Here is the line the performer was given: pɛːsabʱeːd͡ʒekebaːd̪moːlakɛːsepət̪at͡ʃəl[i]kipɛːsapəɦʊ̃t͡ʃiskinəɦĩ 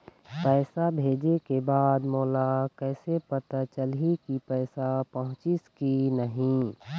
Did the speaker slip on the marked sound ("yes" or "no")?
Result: no